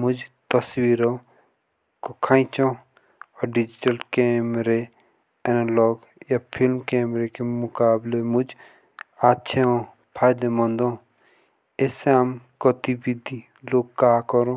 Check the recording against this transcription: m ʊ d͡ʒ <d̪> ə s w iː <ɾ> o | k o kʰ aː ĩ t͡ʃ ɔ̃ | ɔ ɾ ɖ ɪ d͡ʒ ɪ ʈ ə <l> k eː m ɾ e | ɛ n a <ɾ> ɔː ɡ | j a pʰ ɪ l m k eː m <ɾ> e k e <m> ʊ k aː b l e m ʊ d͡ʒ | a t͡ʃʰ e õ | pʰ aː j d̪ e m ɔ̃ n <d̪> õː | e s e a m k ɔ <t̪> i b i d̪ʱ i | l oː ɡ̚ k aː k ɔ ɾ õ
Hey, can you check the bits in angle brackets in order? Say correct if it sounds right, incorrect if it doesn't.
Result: incorrect, correct, correct, incorrect, correct, correct, correct, correct

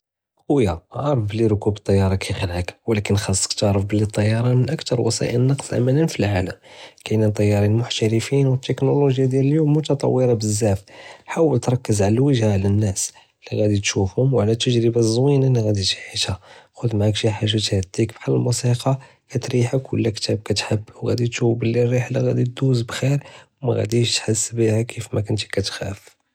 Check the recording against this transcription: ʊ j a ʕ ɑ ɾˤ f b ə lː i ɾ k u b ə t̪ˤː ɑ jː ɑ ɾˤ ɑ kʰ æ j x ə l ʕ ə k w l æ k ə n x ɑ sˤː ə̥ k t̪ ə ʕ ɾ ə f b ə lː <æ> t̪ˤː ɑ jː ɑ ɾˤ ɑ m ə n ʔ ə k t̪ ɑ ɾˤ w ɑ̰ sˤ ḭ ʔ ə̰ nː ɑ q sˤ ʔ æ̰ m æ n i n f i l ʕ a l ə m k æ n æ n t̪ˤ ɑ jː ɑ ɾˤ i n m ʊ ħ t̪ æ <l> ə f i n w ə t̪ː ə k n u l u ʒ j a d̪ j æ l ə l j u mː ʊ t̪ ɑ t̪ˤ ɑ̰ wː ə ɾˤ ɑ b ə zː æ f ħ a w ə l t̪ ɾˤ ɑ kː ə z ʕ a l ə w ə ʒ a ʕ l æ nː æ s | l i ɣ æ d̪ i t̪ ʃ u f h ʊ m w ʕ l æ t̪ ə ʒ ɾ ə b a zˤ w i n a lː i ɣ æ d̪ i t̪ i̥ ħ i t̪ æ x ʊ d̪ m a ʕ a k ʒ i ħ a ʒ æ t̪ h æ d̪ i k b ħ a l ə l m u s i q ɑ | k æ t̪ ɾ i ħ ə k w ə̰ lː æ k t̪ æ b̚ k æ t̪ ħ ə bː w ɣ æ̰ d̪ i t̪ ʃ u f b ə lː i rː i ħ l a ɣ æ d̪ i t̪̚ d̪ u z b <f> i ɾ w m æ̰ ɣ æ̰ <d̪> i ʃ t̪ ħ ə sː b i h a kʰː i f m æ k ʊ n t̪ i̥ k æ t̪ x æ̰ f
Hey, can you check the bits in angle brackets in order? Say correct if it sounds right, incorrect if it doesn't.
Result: incorrect, incorrect, incorrect, correct

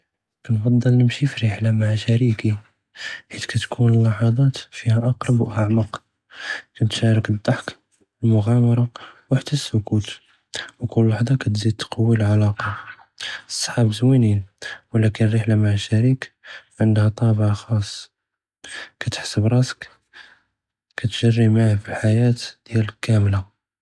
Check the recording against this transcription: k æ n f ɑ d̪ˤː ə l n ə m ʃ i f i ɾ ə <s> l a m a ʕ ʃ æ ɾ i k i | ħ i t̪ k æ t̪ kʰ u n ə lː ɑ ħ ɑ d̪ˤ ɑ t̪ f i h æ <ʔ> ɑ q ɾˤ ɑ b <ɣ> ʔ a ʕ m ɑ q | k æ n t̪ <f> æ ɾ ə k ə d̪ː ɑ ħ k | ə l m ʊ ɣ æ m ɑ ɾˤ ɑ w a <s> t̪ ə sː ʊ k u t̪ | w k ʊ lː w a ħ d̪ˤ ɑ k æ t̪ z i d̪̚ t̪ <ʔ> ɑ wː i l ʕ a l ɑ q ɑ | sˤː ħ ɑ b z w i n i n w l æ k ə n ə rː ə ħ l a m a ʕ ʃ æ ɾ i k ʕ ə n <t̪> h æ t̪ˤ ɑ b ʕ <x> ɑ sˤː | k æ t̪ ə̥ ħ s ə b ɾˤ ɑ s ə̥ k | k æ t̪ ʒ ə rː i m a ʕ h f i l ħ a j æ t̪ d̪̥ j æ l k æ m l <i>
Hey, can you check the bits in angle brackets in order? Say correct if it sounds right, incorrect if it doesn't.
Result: incorrect, correct, incorrect, incorrect, incorrect, incorrect, incorrect, correct, incorrect

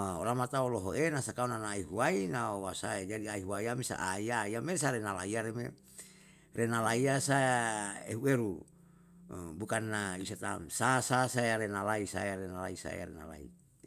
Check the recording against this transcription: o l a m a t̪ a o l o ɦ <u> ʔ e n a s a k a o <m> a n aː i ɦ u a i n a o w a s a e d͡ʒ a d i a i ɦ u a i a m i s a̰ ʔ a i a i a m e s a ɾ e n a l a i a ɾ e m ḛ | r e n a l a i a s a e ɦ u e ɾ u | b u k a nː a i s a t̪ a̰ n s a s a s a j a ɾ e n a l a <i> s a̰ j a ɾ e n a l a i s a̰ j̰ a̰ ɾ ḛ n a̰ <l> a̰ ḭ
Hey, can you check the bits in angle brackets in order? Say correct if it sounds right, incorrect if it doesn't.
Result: incorrect, incorrect, correct, correct

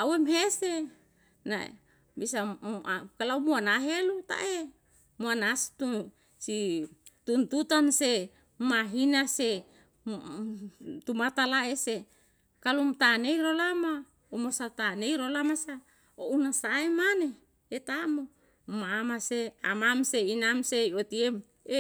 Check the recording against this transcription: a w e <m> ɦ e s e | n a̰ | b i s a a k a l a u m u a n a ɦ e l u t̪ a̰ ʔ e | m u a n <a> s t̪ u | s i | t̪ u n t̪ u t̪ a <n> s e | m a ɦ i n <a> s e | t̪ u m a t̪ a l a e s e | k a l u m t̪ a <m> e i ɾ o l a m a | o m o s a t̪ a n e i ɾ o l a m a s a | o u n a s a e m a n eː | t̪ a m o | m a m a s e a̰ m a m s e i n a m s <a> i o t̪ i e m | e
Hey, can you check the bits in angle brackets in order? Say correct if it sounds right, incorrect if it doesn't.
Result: correct, correct, correct, correct, incorrect, incorrect

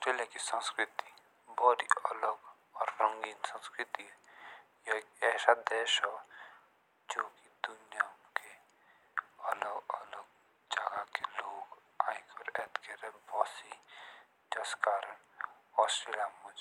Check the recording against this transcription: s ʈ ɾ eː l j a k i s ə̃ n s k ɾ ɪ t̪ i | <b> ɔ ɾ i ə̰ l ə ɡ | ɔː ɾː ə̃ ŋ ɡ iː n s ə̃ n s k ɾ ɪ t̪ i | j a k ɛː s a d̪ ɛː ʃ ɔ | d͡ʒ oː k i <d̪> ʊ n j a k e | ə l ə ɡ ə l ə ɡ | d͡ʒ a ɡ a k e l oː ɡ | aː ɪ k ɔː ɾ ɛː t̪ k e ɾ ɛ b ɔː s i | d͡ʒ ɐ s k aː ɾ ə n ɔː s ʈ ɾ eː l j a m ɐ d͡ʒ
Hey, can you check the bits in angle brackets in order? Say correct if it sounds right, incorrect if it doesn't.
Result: correct, correct

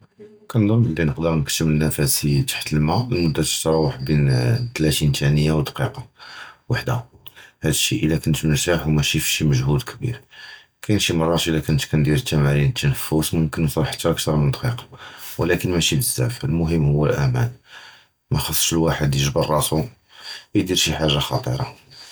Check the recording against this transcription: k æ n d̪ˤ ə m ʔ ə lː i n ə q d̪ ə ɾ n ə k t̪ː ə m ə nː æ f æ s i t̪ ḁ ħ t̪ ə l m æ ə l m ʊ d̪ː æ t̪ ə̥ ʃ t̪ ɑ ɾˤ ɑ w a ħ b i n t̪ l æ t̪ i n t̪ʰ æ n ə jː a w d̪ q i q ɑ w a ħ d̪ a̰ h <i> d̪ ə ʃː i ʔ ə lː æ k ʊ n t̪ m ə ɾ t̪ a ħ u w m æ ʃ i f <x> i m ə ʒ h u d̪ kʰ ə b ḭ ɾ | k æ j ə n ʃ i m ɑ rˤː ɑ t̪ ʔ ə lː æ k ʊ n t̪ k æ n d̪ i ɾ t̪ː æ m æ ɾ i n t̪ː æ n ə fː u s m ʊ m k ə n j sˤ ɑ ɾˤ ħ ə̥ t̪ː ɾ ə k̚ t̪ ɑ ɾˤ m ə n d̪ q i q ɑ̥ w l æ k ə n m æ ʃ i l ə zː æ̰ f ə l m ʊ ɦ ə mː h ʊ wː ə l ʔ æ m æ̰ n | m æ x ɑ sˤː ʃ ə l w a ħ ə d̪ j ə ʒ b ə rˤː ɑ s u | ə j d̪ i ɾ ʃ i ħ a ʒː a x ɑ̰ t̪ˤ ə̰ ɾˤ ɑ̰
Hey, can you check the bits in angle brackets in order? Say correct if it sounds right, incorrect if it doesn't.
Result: incorrect, incorrect

